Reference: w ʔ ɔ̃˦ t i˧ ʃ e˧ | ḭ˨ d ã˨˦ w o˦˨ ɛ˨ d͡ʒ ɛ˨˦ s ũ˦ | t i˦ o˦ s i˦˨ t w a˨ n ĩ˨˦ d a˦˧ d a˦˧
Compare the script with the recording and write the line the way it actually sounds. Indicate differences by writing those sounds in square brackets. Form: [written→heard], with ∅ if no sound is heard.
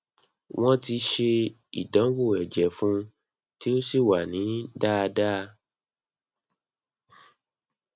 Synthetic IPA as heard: w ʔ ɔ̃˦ t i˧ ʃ e˧ | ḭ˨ d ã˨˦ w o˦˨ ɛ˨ d͡ʒ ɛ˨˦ [s→f] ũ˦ | t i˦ o˦ s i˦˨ [t→∅] w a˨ n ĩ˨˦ d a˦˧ d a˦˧